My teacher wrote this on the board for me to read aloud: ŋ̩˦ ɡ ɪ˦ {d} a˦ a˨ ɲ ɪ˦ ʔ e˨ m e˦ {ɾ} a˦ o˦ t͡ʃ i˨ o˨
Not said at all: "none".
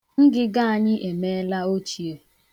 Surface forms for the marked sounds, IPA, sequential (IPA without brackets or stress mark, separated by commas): ɡ, l